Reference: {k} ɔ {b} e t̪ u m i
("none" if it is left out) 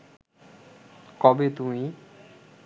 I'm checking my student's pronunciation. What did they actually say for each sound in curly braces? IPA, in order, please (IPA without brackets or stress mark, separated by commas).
k, b